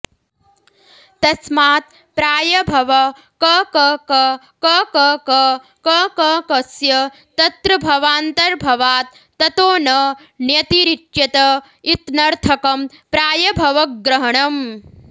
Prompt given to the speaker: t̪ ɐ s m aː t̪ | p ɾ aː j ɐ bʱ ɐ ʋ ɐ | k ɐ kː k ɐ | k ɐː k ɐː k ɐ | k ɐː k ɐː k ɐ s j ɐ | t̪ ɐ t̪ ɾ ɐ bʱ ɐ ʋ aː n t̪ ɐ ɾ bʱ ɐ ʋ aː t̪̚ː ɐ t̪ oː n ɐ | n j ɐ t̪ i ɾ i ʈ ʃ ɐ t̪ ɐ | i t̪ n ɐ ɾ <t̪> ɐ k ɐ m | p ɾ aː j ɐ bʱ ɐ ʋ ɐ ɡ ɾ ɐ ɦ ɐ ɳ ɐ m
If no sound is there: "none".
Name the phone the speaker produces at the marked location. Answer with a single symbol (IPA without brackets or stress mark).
t̪ʰ